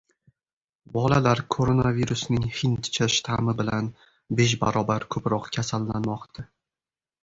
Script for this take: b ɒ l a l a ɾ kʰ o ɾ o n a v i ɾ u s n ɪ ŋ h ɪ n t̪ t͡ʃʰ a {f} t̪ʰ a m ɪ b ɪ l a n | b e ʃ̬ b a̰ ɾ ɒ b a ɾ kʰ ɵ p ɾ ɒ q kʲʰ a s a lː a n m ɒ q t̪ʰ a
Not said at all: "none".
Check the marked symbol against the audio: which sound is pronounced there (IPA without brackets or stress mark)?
ʃ